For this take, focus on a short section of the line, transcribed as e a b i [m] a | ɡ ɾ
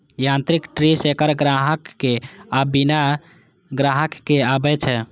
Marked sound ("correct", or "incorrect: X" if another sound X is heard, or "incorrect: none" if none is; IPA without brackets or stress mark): incorrect: n